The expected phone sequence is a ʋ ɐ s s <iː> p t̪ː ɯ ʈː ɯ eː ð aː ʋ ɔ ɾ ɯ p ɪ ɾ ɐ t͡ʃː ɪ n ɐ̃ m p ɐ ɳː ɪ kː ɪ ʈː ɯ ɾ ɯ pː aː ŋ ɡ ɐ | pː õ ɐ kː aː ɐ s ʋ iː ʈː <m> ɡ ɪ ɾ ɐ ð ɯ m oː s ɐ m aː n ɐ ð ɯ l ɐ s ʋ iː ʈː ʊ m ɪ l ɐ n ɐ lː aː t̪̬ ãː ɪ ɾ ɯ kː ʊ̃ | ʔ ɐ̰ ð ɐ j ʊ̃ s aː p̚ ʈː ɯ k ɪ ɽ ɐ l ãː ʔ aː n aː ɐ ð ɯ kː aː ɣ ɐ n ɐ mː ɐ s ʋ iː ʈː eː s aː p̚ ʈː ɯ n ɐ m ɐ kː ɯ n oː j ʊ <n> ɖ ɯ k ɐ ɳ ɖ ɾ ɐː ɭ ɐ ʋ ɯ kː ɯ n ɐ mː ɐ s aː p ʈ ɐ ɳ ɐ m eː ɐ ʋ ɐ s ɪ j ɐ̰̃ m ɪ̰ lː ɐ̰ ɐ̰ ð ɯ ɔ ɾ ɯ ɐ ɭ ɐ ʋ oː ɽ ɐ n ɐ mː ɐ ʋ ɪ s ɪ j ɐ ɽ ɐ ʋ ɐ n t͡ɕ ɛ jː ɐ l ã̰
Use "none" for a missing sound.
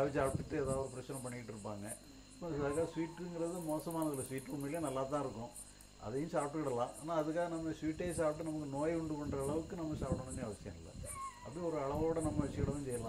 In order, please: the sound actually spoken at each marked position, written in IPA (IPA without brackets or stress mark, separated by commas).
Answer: aː, ŋ, ɳ